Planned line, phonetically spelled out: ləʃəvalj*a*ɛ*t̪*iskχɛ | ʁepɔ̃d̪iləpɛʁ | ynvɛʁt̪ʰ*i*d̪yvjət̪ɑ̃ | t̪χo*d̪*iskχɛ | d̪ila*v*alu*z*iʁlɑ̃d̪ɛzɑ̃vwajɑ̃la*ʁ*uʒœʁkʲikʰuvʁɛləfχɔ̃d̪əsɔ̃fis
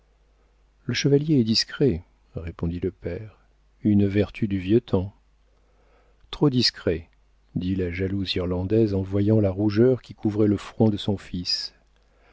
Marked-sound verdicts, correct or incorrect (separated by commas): incorrect, incorrect, incorrect, correct, incorrect, correct, correct